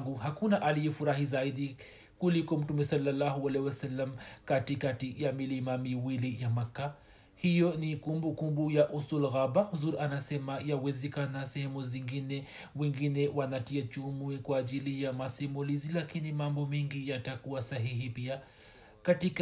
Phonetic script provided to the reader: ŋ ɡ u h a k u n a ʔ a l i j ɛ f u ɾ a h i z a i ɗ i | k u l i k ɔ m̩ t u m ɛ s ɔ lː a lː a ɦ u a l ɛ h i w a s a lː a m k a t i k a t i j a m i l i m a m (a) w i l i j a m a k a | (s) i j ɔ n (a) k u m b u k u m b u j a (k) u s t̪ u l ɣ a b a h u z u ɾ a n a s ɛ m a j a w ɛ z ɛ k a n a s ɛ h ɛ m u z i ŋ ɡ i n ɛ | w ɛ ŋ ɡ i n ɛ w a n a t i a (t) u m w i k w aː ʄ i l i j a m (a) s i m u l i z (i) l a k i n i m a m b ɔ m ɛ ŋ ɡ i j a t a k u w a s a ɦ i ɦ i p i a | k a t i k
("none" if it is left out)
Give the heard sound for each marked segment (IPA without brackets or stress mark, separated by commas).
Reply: i, h, i, ʔ, t͡ʃ, a, i